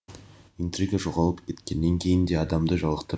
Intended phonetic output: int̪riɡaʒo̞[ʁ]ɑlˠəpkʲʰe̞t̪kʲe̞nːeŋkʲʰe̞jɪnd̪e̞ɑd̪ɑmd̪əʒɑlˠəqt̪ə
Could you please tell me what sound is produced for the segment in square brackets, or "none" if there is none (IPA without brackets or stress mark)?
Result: ʁ